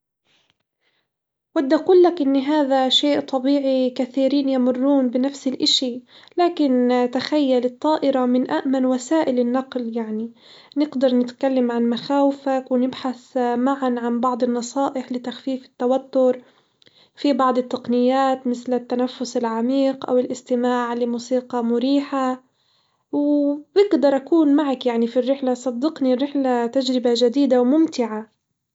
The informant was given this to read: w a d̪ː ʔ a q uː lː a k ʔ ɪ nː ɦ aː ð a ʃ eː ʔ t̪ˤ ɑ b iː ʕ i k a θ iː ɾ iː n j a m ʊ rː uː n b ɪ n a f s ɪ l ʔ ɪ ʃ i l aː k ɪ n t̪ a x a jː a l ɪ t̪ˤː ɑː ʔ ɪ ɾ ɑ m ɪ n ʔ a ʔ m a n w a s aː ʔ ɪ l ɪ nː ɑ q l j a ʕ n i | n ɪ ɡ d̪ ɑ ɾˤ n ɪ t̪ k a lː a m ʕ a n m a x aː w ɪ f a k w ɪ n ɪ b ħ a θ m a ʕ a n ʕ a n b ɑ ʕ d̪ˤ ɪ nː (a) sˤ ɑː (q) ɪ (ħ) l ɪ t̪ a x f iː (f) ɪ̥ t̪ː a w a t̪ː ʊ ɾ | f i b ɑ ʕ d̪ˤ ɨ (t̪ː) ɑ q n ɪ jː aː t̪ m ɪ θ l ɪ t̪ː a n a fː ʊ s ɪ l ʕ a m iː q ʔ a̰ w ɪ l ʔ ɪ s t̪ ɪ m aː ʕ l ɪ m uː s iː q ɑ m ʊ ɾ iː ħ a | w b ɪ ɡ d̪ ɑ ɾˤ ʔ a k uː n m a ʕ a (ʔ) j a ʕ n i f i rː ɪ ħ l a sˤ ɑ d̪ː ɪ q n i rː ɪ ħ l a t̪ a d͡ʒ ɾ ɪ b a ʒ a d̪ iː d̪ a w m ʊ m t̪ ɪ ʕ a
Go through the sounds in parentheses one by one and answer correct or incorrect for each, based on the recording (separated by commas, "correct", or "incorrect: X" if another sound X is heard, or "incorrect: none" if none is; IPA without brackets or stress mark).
incorrect: ɑ, incorrect: ʔ, correct, correct, correct, incorrect: k